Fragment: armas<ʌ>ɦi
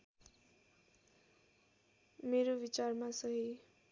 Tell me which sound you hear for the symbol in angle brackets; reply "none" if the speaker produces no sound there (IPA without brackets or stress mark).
ʌ